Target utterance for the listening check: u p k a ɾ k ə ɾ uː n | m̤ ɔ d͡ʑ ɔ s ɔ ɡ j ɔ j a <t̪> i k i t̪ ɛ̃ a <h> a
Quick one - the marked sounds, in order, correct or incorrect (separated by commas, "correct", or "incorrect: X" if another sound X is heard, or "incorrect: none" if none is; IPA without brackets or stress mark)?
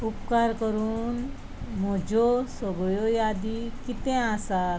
incorrect: d̪, incorrect: s